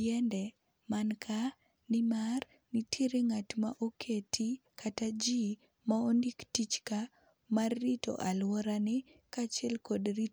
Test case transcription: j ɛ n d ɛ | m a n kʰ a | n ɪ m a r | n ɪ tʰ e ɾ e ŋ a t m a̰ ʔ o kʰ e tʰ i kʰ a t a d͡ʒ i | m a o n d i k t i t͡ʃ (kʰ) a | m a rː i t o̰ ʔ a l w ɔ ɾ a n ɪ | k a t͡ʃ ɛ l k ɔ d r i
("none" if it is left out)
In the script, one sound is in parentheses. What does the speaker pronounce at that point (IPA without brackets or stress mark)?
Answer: k